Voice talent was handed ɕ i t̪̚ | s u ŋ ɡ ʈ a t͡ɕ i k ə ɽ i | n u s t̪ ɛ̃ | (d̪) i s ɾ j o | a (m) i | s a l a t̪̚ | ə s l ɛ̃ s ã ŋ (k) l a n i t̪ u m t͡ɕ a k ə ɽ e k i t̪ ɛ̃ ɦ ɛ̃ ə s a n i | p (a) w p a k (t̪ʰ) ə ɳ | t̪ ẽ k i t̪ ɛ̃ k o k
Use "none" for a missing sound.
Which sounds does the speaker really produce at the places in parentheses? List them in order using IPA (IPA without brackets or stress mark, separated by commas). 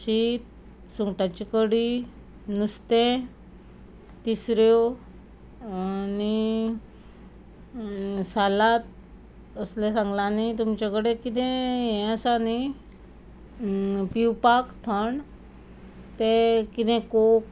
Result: t̪, n, ɡ, i, t̪ʰ